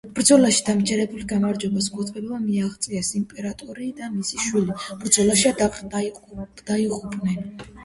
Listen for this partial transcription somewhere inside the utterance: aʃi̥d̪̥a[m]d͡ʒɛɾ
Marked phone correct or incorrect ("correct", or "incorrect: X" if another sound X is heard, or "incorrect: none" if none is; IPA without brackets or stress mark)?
correct